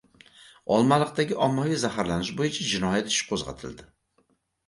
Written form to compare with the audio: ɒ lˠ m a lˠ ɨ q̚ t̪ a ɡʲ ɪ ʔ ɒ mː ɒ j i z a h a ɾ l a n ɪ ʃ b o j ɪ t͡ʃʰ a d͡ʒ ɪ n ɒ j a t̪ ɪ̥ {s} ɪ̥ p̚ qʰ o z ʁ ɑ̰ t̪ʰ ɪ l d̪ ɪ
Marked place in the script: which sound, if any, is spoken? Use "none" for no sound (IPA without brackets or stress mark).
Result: ʃ